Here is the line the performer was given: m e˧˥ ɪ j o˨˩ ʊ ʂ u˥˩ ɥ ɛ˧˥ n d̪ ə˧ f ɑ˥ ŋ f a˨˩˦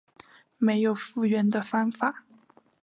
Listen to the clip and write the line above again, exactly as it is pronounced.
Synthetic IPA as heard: m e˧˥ ɪ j o˨˩ ʊ f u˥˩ ɥ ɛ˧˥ n d̪ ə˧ f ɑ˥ ŋ f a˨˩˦